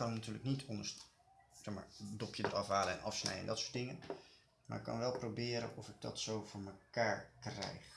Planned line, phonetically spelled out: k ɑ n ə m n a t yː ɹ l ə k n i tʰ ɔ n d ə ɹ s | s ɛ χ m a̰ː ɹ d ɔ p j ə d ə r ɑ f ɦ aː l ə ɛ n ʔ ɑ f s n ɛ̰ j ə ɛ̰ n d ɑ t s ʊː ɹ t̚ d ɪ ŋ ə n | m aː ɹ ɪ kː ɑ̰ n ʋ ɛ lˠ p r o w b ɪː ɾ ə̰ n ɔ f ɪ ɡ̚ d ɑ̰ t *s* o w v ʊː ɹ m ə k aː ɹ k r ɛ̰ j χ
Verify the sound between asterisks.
correct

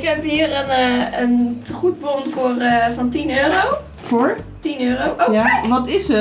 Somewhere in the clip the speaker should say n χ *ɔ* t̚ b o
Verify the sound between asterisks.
incorrect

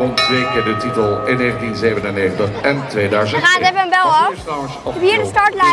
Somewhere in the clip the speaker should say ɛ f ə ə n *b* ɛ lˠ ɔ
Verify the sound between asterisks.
correct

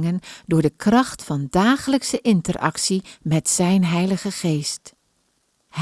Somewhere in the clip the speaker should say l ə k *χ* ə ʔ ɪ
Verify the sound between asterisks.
incorrect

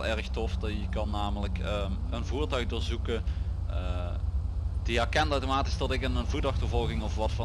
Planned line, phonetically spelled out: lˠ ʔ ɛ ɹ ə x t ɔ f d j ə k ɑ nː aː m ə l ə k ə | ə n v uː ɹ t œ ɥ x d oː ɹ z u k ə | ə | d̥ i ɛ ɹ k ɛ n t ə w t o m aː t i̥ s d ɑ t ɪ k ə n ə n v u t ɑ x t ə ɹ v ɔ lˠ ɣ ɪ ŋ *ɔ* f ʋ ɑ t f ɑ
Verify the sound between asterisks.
correct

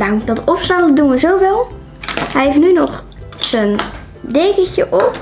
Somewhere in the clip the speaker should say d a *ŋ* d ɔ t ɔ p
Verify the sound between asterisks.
correct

